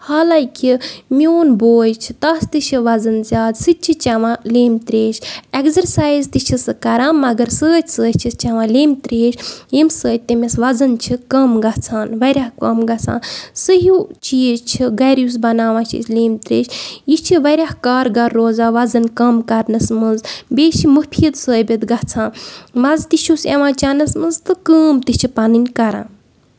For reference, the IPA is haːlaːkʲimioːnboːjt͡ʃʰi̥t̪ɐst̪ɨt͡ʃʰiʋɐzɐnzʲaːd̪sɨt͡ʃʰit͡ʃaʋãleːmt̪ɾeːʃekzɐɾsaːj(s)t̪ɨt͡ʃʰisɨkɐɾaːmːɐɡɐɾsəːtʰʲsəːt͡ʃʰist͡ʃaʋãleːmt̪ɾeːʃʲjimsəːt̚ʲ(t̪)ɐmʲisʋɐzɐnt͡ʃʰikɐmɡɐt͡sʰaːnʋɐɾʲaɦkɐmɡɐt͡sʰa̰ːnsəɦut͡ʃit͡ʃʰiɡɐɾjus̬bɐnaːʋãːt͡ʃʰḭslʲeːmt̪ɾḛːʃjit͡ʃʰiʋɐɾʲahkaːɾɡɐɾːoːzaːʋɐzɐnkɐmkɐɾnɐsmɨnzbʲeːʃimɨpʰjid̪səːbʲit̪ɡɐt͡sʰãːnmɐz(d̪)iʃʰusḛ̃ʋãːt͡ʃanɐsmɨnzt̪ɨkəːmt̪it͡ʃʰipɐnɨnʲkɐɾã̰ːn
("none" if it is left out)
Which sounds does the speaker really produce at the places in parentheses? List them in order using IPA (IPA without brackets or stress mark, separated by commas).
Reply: z, t̪, t̪